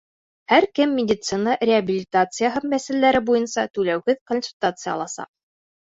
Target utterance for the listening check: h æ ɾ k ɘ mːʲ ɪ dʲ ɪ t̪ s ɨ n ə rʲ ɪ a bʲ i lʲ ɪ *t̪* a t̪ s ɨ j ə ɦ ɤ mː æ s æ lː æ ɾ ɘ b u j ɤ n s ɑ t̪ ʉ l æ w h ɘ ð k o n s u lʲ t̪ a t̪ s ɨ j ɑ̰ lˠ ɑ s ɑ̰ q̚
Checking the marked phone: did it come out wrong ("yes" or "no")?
no